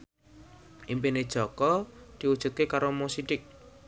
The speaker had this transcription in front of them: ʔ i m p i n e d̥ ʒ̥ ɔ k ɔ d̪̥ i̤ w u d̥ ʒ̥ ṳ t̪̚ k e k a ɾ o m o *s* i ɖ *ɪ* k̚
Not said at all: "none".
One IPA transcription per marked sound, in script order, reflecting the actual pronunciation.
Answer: s, ɪ

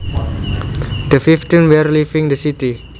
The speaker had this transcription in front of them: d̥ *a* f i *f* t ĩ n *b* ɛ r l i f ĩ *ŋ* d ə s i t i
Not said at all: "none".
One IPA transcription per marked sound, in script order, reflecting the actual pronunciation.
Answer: ə, f, w, ŋ

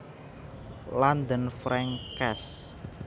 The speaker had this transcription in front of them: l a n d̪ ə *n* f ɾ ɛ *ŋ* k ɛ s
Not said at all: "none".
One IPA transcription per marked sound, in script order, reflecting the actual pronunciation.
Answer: n, ŋ

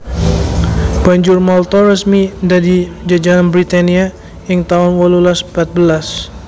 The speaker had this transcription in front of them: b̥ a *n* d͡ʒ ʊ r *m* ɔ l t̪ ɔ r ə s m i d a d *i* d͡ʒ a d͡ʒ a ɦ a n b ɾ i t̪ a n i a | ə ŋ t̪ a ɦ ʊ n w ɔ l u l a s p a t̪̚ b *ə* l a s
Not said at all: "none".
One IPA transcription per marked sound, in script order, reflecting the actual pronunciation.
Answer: ɲ, m, i, ə

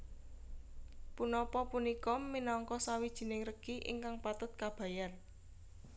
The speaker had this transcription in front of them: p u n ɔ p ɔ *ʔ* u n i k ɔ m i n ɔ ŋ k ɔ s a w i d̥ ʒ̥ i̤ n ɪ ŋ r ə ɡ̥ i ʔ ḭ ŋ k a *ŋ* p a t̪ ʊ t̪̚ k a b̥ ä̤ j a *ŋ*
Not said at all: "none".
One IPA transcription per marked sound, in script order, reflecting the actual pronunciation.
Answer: p, ŋ, n

